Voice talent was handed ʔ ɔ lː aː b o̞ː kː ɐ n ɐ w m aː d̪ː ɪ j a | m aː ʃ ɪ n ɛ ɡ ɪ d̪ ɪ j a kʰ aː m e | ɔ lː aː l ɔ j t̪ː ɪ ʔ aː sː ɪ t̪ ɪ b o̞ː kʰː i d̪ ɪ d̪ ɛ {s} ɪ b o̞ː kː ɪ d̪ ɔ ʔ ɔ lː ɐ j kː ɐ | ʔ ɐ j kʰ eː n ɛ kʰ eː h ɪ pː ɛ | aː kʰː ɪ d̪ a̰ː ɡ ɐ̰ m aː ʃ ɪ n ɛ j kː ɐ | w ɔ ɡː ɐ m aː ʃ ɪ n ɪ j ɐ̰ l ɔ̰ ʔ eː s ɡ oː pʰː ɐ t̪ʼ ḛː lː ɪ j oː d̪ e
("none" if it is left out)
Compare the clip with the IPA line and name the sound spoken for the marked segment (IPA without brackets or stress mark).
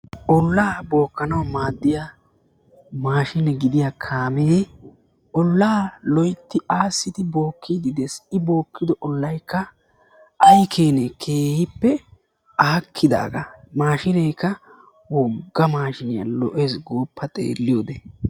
s